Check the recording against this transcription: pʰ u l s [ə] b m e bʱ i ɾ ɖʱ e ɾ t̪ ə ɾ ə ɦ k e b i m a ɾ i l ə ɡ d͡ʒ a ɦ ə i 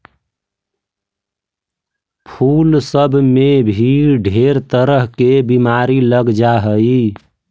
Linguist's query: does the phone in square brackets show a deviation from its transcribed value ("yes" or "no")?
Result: no